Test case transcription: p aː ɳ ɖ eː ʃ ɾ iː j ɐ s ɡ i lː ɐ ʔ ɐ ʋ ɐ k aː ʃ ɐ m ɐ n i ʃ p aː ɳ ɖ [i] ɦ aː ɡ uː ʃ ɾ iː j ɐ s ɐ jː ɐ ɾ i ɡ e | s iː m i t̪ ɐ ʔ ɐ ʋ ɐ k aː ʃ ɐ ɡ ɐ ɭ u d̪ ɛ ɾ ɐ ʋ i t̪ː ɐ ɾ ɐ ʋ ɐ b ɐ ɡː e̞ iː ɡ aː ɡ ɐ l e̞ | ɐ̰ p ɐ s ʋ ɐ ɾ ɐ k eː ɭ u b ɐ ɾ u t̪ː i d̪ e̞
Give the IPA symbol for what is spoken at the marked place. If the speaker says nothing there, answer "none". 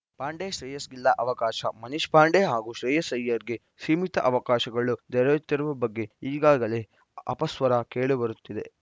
e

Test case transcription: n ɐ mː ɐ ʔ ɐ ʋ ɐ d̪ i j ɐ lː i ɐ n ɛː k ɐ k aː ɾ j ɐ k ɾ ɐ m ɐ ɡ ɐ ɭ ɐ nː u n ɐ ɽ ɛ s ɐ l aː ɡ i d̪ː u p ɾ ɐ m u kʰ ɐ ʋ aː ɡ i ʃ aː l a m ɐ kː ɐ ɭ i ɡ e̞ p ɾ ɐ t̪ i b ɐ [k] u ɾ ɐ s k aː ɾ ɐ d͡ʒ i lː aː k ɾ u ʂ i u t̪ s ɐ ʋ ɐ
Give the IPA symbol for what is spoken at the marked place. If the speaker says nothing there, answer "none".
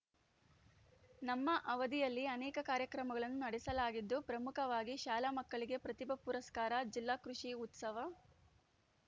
p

